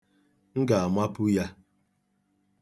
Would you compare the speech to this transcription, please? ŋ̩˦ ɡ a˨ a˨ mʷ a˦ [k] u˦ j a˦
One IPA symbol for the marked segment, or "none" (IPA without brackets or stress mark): p